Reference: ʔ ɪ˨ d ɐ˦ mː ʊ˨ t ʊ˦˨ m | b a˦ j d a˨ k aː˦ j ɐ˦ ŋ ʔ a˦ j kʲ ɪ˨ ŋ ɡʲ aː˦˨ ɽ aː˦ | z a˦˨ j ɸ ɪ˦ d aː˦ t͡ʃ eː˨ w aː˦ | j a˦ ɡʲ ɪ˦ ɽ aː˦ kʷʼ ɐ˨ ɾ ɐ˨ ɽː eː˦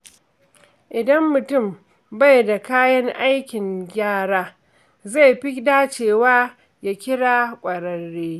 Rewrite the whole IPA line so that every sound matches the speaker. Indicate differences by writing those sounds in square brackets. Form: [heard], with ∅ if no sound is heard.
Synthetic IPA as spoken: ʔ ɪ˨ d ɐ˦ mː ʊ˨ t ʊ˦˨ m | b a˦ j d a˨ k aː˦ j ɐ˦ ŋ ʔ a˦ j kʲ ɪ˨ ŋ ɡʲ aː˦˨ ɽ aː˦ | z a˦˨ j ɸ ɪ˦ d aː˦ t͡ʃ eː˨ w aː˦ | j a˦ [kʲ] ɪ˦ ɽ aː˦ kʷʼ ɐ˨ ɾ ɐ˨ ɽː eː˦